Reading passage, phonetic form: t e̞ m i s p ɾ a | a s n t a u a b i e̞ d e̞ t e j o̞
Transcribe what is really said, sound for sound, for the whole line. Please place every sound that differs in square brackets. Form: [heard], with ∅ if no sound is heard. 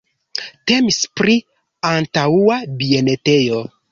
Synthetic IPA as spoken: t e̞ m i s p ɾ [i] | a [∅] n t a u a b i e̞ [n] e̞ t e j o̞